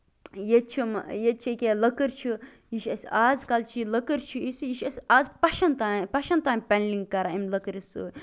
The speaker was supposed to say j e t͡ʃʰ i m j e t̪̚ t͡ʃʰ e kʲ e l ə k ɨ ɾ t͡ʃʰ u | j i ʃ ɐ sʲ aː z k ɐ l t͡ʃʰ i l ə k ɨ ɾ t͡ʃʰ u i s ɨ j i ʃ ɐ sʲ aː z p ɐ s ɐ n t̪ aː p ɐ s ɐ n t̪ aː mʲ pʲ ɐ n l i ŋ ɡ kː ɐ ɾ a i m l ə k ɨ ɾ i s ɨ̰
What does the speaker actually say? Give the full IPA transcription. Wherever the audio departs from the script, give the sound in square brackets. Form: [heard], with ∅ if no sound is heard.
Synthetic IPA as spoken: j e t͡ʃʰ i m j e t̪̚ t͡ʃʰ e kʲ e l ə k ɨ ɾ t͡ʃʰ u | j i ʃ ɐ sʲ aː z k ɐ l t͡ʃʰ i l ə k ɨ ɾ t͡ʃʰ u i s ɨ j i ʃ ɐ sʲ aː z p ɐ [ʃ] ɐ n t̪ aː p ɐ [ʃ] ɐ n t̪ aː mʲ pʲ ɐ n l i ŋ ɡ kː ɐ ɾ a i m l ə k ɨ ɾ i s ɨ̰